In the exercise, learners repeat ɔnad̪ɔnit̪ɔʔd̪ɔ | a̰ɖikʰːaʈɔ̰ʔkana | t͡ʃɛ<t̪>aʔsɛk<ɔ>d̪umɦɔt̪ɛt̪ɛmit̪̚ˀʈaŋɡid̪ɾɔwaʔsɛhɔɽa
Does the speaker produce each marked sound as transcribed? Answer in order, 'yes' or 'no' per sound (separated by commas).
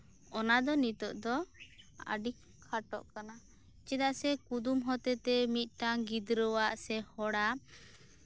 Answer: no, no